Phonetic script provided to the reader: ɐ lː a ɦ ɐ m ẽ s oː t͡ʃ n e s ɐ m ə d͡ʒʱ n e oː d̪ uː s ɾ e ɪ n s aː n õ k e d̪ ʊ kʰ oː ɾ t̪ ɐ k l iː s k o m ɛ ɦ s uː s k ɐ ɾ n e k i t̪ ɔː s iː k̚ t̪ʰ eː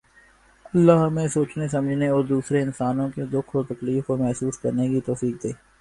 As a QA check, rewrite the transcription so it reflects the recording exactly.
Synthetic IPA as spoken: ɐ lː a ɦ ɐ m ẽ s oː t͡ʃ n e s ɐ m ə d͡ʒʱ n e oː d̪ uː s ɾ e ɪ n s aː n õ k e d̪ ʊ kʰ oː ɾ t̪ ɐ k l iː f k o m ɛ ɦ s uː s k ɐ ɾ n e k i t̪ ɔː f iː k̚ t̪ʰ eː